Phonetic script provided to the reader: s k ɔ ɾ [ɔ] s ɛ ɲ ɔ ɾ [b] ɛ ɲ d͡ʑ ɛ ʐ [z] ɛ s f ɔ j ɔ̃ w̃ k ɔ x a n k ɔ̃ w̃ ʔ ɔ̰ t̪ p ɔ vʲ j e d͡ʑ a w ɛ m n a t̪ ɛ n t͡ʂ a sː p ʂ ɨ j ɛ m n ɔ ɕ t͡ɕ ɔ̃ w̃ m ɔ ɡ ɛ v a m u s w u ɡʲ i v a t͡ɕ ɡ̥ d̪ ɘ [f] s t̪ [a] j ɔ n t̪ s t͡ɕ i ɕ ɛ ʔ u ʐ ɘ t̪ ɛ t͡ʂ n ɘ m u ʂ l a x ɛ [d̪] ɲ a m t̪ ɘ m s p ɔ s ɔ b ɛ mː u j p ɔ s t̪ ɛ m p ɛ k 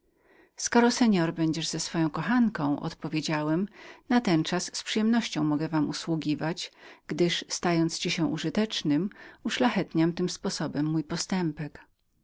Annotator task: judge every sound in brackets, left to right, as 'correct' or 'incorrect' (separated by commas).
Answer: correct, correct, correct, incorrect, correct, incorrect